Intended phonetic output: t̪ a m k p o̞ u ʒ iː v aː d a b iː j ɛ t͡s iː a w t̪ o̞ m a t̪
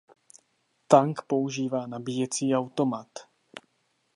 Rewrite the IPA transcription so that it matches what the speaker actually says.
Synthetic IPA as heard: t̪ a ŋ k p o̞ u ʒ iː v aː n a b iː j ɛ t͡s iː a w t̪ o̞ m a t̪